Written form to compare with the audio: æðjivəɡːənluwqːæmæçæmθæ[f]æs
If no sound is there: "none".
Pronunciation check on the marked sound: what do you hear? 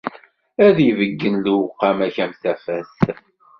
f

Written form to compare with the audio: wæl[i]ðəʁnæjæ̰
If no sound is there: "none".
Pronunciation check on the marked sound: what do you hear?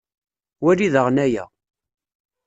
i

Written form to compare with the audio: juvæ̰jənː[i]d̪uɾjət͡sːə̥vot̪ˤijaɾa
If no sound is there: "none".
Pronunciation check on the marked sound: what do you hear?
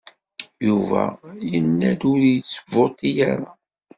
æ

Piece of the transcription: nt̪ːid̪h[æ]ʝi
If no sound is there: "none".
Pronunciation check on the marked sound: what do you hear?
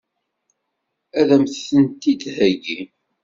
æ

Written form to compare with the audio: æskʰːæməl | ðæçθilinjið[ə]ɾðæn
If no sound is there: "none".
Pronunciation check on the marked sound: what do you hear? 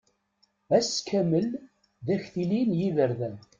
ə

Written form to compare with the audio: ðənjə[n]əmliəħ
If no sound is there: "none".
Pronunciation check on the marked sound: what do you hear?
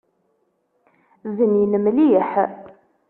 n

